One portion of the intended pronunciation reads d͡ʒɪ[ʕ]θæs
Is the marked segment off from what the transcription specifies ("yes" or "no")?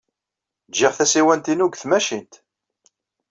yes